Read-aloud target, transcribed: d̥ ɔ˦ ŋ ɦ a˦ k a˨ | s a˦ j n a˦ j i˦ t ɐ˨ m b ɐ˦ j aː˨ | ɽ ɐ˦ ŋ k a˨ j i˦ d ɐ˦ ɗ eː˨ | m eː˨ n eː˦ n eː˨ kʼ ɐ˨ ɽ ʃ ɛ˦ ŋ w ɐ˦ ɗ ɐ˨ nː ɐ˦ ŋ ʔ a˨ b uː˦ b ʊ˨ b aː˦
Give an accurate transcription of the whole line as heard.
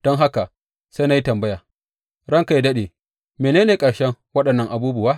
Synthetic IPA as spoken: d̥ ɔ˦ ŋ ɦ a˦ k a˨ | s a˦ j n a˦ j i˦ t ɐ˨ m b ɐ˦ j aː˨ | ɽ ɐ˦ ŋ k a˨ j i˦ d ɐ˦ ɗ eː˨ | m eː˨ n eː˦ n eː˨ kʼ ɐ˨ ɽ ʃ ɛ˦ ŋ w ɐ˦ ɗ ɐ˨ nː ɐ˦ ŋ ʔ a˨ b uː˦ b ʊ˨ w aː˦